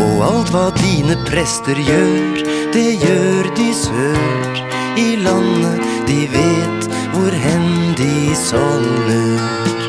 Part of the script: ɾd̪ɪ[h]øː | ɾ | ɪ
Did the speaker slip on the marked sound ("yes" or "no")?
yes